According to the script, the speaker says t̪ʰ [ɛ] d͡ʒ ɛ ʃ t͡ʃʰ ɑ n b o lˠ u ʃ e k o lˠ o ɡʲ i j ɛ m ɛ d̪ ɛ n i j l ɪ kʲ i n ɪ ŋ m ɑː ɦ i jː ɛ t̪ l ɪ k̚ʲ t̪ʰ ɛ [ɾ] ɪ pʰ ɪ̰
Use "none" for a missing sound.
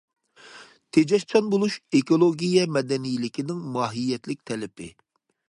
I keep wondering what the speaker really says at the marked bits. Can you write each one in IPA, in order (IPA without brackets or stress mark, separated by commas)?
e, l